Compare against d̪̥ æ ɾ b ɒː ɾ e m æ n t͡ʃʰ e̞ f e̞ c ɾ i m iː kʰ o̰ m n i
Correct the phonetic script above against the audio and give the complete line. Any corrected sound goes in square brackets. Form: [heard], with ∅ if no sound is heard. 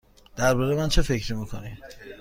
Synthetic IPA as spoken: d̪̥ æ ɾ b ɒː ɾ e m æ n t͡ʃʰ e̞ f e̞ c ɾ i m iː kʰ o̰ [∅] n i

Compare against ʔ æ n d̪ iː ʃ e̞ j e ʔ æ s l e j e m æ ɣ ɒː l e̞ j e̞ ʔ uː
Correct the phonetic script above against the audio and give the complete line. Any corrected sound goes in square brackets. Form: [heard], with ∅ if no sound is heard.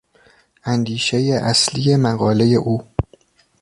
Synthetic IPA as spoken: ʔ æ n d̪ iː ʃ e̞ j e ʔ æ s l [i] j e m æ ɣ ɒː l e̞ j e̞ ʔ uː

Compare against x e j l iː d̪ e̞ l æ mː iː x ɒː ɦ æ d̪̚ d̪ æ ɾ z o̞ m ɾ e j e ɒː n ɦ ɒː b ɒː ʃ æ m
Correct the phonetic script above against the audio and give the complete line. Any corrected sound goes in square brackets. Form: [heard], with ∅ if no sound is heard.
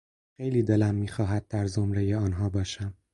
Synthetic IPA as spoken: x e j l iː d̪ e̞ l æ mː iː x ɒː ɦ æ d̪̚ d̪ æ ɾ z o̞ m ɾ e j e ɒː n ɦ ɒː b ɒː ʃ æ m

